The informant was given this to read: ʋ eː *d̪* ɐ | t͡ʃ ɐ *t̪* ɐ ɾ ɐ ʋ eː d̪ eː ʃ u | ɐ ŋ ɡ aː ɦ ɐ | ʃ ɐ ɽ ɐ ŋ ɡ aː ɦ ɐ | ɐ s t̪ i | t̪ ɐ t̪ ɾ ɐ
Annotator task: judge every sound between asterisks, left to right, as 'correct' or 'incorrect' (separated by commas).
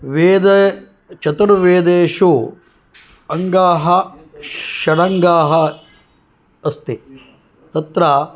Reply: correct, correct